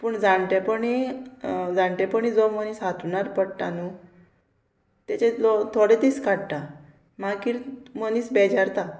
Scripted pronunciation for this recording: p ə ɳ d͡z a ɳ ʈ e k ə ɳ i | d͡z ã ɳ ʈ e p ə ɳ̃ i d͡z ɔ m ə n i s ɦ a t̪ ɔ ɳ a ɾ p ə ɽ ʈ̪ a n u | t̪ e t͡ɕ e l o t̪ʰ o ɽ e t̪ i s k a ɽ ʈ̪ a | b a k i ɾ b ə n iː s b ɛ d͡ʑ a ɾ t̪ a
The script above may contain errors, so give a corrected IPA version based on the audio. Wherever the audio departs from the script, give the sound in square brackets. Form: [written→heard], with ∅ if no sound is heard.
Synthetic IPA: p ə ɳ d͡z a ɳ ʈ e [k→p] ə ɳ i | d͡z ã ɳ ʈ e p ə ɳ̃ i d͡z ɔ m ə n i s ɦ a t̪ [ɔ→u] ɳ a ɾ p ə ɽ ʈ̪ a n u | t̪ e t͡ɕ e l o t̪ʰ o ɽ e t̪ i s k a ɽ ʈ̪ a | [b→m] a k i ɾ [b→m] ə n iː s b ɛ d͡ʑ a ɾ t̪ a